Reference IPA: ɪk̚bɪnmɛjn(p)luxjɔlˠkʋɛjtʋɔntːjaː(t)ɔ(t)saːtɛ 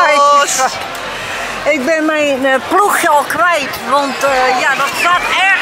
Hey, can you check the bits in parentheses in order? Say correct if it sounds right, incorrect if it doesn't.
correct, incorrect: d, correct

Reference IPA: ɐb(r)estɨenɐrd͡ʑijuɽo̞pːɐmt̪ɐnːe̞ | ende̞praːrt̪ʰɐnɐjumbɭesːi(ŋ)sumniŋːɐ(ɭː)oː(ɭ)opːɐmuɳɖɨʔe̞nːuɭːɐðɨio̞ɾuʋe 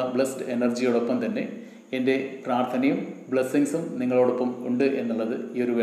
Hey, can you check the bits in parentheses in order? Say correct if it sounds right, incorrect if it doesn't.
incorrect: ɭ, correct, incorrect: ɭ, incorrect: ɽ

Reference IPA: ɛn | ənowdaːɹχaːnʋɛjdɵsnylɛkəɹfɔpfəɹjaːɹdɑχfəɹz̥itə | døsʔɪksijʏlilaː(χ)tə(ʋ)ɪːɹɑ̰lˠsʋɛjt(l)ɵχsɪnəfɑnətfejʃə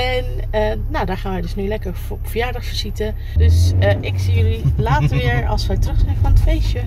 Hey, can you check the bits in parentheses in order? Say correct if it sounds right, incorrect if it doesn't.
incorrect: none, correct, incorrect: r

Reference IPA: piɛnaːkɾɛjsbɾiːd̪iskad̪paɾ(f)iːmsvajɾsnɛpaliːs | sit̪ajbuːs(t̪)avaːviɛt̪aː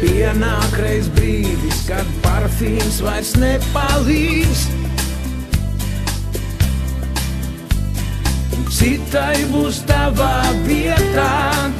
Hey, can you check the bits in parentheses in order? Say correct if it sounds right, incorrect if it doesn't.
correct, correct

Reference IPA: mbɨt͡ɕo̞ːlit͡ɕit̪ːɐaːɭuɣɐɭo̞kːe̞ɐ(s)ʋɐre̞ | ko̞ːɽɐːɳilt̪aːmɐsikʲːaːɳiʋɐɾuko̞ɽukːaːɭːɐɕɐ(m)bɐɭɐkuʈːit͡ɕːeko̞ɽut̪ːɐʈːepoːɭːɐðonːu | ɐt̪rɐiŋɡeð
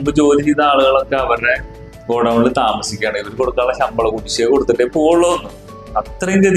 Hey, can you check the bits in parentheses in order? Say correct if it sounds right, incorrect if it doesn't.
incorrect: none, correct

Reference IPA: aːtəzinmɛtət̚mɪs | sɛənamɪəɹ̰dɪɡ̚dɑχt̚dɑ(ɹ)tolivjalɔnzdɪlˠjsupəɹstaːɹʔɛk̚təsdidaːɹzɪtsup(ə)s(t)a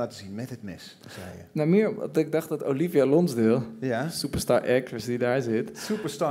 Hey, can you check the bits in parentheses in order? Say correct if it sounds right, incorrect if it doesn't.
incorrect: none, correct, correct

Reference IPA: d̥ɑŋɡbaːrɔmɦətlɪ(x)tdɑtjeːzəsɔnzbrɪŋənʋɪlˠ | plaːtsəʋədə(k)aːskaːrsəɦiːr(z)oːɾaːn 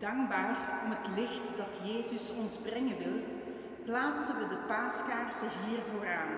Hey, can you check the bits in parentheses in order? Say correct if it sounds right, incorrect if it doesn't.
correct, incorrect: p, incorrect: v

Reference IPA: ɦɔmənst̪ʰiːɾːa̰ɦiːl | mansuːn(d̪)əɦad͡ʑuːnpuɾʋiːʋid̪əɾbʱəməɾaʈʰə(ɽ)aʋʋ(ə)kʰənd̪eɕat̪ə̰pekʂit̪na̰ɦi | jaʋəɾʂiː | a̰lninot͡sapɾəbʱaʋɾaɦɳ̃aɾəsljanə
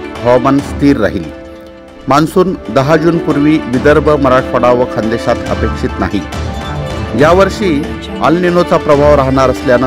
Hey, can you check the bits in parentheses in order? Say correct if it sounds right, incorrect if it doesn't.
correct, correct, correct

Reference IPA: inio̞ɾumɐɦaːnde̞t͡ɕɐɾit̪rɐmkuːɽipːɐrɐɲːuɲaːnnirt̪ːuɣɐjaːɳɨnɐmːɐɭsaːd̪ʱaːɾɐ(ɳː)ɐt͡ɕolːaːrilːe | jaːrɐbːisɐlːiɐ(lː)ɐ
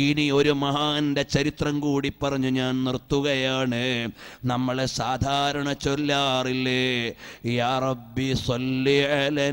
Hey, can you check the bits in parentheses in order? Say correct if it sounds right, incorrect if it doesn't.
incorrect: ɳ, incorrect: l

